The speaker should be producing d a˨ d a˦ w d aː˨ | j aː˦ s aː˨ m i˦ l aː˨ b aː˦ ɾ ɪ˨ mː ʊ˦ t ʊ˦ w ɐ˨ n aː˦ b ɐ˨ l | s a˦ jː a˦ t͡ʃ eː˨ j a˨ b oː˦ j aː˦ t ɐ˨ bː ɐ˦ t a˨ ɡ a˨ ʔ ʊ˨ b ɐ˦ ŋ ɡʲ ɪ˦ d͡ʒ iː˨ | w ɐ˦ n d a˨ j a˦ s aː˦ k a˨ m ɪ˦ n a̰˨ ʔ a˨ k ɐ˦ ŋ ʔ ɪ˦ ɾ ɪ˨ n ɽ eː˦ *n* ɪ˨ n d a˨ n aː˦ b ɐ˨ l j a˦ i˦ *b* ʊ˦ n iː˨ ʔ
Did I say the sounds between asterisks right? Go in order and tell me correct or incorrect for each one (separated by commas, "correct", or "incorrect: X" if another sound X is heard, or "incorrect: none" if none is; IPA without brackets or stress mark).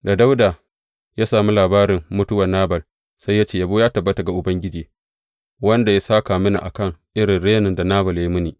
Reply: correct, incorrect: m